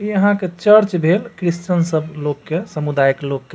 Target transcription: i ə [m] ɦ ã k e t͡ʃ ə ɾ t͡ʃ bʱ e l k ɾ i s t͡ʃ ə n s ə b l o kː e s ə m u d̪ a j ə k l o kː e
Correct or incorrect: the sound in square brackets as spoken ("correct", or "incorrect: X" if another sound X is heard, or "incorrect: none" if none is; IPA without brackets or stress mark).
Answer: incorrect: none